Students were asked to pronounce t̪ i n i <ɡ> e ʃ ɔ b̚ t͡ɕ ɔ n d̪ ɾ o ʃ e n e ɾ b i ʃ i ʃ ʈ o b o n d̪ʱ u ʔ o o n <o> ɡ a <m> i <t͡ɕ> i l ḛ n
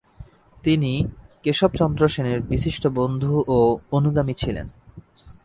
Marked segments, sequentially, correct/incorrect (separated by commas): incorrect, incorrect, correct, incorrect